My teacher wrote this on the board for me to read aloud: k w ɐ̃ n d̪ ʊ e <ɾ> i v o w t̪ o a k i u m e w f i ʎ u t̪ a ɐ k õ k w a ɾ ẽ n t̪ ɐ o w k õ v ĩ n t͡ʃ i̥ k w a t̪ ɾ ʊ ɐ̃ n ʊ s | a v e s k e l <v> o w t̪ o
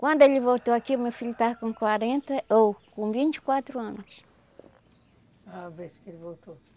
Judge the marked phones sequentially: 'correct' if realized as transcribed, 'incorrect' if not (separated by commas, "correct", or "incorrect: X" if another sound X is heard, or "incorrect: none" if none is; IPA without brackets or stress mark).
incorrect: l, correct